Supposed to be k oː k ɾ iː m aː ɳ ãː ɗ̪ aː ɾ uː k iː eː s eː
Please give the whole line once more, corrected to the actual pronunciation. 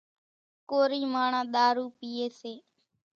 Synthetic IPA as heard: k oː ɾ iː m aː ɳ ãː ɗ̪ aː ɾ uː p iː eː s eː